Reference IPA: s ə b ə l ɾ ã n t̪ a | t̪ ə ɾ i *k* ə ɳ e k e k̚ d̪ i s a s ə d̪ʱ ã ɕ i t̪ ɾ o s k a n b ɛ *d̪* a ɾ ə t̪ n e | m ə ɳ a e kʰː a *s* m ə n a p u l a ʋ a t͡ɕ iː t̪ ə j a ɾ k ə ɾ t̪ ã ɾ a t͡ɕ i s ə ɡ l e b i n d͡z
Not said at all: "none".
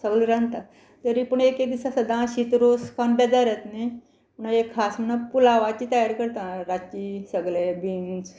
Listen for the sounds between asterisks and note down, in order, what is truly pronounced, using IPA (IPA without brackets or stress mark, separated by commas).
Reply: p, d̪, s